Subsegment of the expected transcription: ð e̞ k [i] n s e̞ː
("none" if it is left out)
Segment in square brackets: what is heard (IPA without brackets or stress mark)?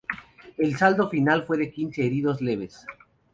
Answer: i